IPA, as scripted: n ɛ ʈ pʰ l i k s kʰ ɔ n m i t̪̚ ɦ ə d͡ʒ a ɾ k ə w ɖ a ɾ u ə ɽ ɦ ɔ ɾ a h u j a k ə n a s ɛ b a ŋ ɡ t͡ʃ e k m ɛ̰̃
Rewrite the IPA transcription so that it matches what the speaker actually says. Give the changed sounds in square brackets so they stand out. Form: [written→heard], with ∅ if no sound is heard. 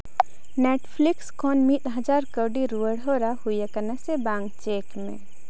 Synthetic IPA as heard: n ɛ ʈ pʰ l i k s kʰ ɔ n m i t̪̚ ɦ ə d͡ʒ a ɾ k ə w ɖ [a→i] ɾ u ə ɽ ɦ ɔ ɾ a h u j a k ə n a s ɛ b a ŋ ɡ t͡ʃ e k m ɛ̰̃

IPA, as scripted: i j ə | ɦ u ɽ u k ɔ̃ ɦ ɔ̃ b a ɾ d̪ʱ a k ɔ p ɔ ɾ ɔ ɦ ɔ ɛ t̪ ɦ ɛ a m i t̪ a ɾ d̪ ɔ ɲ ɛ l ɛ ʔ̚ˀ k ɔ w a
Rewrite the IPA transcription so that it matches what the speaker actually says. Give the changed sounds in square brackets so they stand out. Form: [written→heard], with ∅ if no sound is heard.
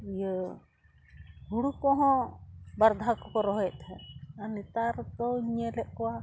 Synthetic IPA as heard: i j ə | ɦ u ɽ u k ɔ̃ ɦ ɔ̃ b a ɾ d̪ʱ a k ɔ [p→k] ɔ ɾ ɔ ɦ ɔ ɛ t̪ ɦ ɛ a [m→n] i t̪ a ɾ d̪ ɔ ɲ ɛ l ɛ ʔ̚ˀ k ɔ w a

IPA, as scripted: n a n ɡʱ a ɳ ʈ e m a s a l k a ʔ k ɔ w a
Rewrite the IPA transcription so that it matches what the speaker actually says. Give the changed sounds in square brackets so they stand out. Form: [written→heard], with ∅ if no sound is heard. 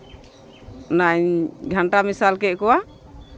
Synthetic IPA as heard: n a [n→ɲ] ɡʱ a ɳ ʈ [e→a] m [a→i] s a l k [a→ɛ] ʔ k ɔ w a

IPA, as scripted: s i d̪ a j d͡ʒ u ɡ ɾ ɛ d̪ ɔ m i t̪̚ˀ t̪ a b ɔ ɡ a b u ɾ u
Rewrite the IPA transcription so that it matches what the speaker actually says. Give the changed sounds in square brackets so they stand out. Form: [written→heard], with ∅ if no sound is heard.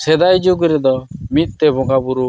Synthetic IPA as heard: s [i→ɛ] d̪ a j d͡ʒ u ɡ ɾ ɛ d̪ ɔ m i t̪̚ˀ t̪ [a→ɛ] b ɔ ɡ a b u ɾ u

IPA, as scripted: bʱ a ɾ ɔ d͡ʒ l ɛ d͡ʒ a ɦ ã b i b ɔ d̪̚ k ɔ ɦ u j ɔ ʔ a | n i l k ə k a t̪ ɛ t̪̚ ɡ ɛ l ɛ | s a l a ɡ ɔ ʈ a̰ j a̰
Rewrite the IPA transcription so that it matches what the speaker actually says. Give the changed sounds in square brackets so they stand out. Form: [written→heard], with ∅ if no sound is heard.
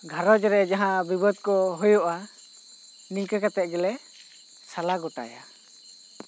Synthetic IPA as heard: [bʱ→ɡʱ] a ɾ ɔ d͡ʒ [l→ɾ] ɛ d͡ʒ a ɦ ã b i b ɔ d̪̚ k ɔ ɦ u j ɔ ʔ a | n i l k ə k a t̪ ɛ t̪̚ ɡ ɛ l ɛ | s a l a ɡ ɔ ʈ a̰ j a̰

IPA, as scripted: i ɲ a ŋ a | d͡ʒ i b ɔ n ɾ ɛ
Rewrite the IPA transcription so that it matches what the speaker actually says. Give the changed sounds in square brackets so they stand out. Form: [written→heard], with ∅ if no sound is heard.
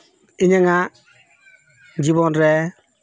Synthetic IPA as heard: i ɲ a ŋ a | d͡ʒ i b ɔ n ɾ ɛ

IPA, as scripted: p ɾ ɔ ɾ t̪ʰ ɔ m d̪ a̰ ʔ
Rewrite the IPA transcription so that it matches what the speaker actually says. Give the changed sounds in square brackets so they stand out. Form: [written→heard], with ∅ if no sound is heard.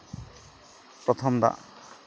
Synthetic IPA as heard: p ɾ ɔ [ɾ→∅] t̪ʰ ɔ m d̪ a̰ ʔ

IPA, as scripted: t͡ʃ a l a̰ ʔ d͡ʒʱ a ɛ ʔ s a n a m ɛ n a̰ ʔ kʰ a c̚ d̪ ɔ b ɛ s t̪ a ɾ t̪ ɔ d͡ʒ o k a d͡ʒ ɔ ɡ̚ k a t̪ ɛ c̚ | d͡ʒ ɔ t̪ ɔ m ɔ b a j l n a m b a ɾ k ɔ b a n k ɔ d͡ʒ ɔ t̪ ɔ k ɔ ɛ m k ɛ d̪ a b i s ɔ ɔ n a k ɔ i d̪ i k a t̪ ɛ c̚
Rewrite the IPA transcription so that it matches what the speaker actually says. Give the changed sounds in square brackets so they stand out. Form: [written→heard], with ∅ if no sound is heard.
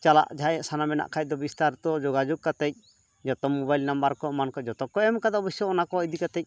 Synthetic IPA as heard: t͡ʃ a l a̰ ʔ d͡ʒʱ a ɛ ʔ s a n a m ɛ n a̰ ʔ kʰ a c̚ d̪ ɔ b [ɛ→i] s t̪ a ɾ t̪ ɔ d͡ʒ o [k→ɡ] a d͡ʒ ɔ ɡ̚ k a t̪ ɛ c̚ | d͡ʒ ɔ t̪ ɔ m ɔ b a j l n a m b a ɾ k ɔ [b→m] a n k ɔ d͡ʒ ɔ t̪ ɔ k ɔ ɛ m k [ɛ→a] d̪ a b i s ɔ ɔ n a k ɔ i d̪ i k a t̪ ɛ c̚

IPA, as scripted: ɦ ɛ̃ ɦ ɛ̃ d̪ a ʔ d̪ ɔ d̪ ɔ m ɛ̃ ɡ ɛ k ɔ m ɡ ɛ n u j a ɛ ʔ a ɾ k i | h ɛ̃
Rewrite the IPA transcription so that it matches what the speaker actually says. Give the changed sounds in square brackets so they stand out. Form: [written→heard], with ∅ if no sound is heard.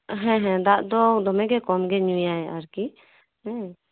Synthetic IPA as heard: ɦ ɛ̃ ɦ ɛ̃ d̪ a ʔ d̪ ɔ d̪ ɔ m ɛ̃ ɡ ɛ k ɔ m ɡ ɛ [n→ɲ] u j a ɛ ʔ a ɾ k i | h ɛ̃

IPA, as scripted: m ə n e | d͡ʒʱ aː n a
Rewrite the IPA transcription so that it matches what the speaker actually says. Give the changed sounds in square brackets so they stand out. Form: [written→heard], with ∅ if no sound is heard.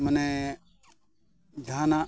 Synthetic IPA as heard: m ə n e | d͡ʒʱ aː n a

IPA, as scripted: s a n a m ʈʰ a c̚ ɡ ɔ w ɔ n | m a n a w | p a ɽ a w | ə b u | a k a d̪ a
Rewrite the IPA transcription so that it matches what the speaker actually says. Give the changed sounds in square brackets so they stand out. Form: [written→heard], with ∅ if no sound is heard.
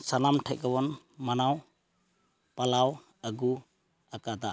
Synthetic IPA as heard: s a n a m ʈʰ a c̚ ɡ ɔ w ɔ n | m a n a w | p a [ɽ→l] a w | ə [b→ɡ] u | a k a d̪ a

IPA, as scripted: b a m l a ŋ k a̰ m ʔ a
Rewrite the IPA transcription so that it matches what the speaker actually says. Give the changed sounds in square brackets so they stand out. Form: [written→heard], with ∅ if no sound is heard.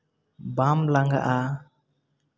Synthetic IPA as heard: b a m l a ŋ [k→ɡ] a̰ [m→∅] ʔ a

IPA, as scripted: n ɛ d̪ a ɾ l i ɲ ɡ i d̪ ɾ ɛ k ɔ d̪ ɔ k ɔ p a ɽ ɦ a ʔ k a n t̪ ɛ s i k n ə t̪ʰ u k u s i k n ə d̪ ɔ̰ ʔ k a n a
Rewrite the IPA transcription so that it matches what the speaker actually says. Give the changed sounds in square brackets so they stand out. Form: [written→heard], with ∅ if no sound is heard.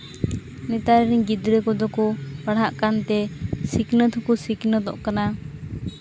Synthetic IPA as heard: n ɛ [d̪→t̪] a ɾ [l→ɾ] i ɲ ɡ i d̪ ɾ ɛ k ɔ d̪ ɔ k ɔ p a ɽ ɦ a ʔ k a n t̪ ɛ s i k n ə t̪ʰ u k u s i k n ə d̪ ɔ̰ ʔ k a n a

